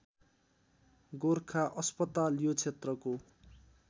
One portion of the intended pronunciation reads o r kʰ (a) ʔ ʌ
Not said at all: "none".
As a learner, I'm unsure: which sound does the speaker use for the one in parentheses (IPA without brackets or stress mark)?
a